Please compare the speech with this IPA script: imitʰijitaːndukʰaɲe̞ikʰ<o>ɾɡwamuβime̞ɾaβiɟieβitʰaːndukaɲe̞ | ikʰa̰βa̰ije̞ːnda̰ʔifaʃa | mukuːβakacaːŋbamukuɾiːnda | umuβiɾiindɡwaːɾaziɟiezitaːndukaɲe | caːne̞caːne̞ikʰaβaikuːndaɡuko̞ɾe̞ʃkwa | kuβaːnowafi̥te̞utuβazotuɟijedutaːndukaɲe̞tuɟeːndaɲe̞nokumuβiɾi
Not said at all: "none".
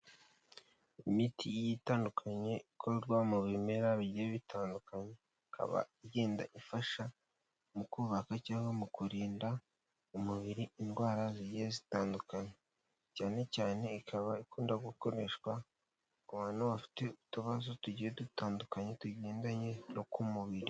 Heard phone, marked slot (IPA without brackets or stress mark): o